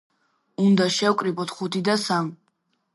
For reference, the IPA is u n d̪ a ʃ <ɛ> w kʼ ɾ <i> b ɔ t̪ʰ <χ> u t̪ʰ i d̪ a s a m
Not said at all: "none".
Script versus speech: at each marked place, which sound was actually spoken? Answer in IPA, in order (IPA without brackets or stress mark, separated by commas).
ɛ, i, χ